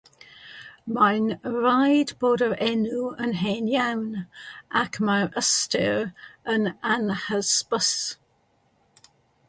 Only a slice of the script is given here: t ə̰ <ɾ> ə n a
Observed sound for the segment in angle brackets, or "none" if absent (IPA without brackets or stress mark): ɹ